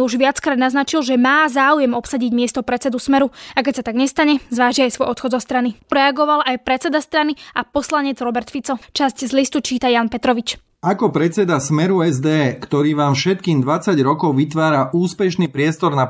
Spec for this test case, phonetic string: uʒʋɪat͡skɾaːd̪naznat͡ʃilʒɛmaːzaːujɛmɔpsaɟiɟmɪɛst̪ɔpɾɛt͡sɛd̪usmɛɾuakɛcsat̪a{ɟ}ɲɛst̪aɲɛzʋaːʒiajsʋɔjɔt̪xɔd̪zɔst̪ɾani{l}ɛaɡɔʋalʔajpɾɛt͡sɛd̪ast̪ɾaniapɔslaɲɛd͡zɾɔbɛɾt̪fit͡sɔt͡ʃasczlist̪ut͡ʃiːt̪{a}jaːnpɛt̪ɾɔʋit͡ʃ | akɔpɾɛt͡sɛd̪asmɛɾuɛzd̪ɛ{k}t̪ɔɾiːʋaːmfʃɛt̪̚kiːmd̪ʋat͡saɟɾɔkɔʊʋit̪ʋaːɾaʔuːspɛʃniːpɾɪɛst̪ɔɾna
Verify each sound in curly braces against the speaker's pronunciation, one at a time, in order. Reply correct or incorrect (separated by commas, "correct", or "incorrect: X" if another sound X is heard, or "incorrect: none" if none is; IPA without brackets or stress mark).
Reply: incorrect: ɡ, incorrect: ɾ, correct, correct